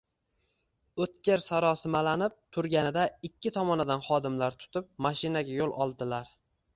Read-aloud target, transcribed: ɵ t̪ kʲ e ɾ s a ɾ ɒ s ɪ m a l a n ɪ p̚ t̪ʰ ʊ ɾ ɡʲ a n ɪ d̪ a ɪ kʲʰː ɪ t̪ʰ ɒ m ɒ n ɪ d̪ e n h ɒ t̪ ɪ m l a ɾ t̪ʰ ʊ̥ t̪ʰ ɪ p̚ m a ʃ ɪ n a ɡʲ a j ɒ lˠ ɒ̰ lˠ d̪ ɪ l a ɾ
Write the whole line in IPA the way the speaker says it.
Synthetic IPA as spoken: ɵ t̪ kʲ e ɾ s a ɾ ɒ s ɪ m a l a n ɪ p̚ t̪ʰ ʊ ɾ ɡʲ a n ɪ d̪ a ɪ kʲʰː ɪ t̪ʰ ɒ m ɒ n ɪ d̪ a n χ ɒ d̪ ɪ m l a ɾ t̪ʰ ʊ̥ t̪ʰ ɪ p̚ m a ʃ ɪ n a ɡʲ a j o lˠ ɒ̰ lˠ d̪ ɪ l a ɾ